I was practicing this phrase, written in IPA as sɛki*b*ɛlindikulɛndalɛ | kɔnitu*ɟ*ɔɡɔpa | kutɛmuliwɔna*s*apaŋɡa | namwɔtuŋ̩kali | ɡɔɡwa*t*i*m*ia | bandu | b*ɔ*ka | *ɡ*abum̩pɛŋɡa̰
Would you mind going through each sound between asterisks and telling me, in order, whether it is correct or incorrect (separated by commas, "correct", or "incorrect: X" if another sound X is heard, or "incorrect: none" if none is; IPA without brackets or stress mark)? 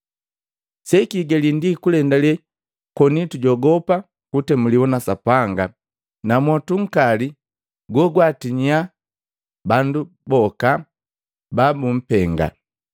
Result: incorrect: ɡ, correct, correct, correct, incorrect: ɲ, correct, incorrect: b